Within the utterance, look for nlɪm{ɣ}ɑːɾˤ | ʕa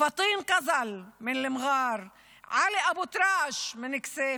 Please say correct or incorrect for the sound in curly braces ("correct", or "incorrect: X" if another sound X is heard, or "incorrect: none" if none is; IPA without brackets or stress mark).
correct